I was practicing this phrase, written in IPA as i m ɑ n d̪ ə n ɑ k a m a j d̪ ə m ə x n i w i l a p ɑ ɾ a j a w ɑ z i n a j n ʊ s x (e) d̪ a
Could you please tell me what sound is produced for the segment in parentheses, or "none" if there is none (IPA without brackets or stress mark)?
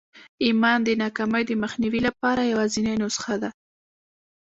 a